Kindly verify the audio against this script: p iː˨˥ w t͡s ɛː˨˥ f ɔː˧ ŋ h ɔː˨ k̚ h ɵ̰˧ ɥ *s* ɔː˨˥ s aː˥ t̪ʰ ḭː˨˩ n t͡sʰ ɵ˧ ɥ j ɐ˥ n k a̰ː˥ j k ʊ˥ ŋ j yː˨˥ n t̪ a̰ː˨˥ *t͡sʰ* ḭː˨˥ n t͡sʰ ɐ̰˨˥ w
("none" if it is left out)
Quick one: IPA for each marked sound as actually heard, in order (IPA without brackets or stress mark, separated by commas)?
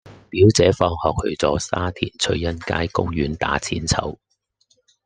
t͡s, t͡sʰ